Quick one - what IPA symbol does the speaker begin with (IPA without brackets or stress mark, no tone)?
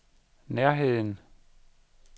n